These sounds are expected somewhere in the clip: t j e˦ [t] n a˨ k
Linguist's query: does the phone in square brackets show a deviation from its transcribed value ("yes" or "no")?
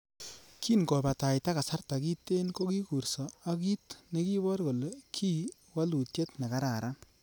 no